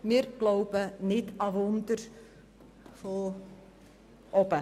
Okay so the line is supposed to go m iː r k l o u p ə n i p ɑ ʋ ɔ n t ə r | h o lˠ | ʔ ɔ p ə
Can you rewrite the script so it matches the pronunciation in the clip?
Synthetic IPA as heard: m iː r k l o w p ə n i t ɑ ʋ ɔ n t ə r | f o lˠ | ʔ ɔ p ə